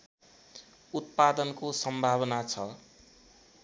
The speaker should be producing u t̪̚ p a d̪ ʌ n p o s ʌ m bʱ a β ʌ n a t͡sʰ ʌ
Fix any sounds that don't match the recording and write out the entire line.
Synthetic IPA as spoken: u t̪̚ p a d̪ ʌ n k o s ʌ m bʱ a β ʌ n a t͡sʰ ʌ